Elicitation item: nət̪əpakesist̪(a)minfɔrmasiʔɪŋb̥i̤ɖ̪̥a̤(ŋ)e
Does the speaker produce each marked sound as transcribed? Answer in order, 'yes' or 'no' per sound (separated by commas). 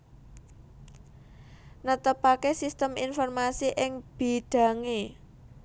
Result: no, yes